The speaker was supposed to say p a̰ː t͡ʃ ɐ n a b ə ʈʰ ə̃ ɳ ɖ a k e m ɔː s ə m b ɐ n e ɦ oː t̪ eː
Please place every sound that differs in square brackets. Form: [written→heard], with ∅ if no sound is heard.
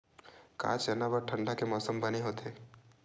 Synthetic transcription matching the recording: [p→k] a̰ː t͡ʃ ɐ n a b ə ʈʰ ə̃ ɳ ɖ a k e m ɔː s ə m b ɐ n e ɦ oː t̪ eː